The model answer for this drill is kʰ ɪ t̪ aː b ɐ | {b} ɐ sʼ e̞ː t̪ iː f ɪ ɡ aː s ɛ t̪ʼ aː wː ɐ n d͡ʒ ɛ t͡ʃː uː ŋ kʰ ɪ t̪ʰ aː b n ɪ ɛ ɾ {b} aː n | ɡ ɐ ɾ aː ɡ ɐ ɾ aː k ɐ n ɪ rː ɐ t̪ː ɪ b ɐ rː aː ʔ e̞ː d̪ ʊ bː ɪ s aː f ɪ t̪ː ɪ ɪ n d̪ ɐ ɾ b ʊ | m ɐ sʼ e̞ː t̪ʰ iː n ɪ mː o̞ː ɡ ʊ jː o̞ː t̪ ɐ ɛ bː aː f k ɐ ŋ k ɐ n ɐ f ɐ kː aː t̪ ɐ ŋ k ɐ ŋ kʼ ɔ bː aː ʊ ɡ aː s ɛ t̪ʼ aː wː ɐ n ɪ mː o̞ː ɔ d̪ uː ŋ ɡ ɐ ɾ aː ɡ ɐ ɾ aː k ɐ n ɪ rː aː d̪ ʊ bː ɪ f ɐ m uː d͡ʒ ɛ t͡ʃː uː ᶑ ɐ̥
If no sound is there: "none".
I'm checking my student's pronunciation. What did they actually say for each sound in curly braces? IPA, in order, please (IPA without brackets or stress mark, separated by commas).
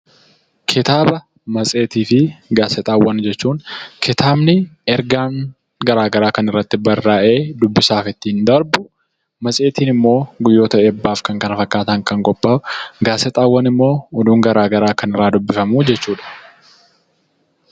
m, ɡ